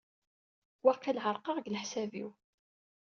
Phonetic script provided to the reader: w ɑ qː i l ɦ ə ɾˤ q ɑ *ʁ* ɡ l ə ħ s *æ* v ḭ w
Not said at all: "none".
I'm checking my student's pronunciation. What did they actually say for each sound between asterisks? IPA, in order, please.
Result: ʁ, æ

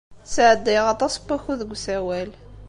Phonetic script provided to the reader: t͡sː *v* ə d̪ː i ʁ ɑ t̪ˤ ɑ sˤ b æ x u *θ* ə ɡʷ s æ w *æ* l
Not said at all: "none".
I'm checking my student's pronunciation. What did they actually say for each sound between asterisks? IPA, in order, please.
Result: ʕ, ð, æ

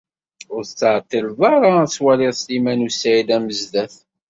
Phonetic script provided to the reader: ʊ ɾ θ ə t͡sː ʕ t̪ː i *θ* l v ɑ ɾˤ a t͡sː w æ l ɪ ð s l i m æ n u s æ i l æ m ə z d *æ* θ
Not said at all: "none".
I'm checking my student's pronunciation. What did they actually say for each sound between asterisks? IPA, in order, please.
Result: none, æ

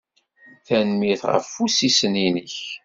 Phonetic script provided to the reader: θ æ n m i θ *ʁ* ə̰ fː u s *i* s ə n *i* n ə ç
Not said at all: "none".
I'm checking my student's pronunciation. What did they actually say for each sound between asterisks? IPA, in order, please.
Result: ʁ, i, i

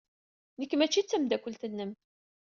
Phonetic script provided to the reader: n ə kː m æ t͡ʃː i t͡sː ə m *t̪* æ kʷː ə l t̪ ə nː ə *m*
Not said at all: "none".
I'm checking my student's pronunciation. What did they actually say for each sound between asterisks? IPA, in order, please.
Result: d̪, m

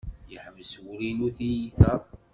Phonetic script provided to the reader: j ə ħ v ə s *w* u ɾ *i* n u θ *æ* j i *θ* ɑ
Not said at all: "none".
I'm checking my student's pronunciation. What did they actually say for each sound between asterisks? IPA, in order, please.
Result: w, i, i, θ

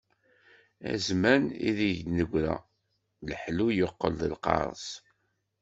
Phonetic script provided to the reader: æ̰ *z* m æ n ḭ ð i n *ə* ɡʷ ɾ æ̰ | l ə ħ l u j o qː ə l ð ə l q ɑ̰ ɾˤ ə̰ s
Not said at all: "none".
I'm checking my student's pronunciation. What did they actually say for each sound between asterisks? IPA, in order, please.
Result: z, ə

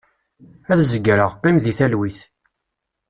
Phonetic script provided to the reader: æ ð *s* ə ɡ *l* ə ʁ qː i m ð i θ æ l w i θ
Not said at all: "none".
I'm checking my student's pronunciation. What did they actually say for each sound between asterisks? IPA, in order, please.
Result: z, ɾ

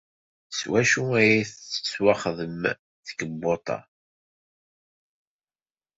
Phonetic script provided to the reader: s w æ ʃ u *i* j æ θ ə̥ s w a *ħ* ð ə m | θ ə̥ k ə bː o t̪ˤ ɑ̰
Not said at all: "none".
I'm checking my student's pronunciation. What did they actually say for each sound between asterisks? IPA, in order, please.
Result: æ, χ

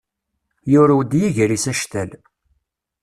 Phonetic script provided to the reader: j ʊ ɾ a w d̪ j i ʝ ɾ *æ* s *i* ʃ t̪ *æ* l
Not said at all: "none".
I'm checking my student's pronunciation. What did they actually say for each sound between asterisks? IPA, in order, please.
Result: i, æ, æ

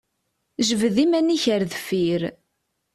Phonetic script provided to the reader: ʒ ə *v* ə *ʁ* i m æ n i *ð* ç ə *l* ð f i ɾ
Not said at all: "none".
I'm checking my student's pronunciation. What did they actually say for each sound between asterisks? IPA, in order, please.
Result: v, ð, none, ɾ

